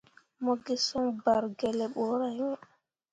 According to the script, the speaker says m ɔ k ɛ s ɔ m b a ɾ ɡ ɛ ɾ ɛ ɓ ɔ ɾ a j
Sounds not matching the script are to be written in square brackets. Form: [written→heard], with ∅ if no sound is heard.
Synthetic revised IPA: m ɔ [k→ɡ] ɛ s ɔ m b a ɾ ɡ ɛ [ɾ→l] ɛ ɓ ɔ ɾ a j